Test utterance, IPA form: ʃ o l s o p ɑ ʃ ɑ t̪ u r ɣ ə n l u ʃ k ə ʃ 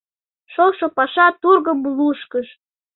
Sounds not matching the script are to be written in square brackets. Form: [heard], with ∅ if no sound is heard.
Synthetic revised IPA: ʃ o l [ʃ] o p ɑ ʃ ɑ t̪ u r ɣ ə [m] l u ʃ k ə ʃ

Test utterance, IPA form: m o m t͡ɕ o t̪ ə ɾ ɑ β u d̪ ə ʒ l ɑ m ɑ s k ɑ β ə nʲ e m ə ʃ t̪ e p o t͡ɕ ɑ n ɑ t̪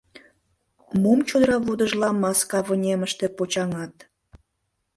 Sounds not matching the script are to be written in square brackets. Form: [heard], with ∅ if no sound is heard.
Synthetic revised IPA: m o m t͡ɕ o [d̪] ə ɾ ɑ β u d̪ ə ʒ l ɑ m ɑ s k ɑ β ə nʲ e m ə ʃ t̪ e p o t͡ɕ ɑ [ŋ] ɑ t̪

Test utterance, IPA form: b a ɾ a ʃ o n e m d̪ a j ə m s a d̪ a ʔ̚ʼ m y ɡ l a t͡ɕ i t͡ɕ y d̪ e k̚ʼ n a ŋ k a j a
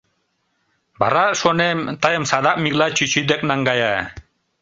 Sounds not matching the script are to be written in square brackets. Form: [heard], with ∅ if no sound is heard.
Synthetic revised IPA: b a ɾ a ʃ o n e m [t̪] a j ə m s a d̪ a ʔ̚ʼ m [i] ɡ l a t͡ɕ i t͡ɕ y d̪ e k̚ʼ n a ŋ [ɡ] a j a

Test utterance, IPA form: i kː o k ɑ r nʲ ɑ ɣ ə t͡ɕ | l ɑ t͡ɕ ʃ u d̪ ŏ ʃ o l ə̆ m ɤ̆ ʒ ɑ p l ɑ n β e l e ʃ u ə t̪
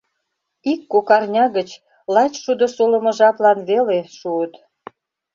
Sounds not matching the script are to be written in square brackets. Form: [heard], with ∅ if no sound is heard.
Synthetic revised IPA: i kː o k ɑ r nʲ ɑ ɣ ə t͡ɕ | l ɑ t͡ɕ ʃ u d̪ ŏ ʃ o l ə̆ m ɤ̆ ʒ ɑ p l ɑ n β e l e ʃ u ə t̪

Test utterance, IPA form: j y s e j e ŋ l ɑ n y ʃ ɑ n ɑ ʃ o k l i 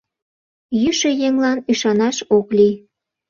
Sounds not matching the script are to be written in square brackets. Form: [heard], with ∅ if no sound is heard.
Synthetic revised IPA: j y [ʃ] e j e ŋ l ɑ n y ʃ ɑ n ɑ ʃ o k l i

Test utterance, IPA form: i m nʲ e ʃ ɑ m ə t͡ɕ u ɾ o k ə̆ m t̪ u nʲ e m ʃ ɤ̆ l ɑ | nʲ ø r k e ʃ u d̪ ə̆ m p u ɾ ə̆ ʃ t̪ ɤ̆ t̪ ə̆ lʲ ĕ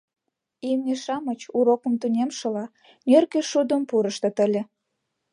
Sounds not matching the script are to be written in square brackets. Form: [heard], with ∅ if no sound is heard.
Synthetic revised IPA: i m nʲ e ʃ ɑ m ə t͡ɕ u ɾ o k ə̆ m t̪ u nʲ e m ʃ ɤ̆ l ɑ | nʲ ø r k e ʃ u d̪ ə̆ m p u ɾ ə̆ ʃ t̪ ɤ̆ t̪ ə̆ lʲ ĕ

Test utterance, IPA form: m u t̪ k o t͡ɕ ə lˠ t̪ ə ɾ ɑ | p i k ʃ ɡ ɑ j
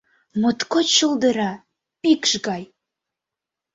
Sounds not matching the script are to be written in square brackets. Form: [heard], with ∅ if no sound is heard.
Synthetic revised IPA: m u t̪ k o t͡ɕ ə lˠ [d̪] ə ɾ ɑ | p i k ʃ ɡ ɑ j

